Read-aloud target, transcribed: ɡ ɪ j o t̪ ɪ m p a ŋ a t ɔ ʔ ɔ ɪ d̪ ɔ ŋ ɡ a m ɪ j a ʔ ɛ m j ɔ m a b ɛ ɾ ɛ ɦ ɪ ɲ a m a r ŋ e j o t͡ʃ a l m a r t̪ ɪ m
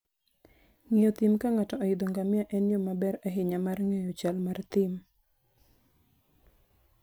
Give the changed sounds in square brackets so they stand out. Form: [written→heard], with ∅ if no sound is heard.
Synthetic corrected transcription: [ɡ→ŋ] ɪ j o t̪ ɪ m [p→k] a ŋ a t ɔ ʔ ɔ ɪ d̪ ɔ ŋ ɡ a m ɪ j a ʔ ɛ [m→n] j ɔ m a b ɛ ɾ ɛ ɦ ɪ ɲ a m a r ŋ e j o t͡ʃ a l m a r t̪ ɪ m